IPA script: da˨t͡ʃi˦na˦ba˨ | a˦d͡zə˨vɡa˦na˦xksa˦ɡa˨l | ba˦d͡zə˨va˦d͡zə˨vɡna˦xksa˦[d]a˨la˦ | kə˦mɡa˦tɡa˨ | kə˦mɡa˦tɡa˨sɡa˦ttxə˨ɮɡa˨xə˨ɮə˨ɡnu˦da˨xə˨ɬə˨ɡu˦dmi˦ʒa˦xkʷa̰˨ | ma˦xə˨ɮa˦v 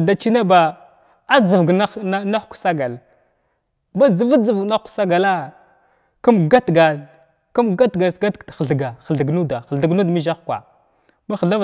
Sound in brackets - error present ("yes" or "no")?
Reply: yes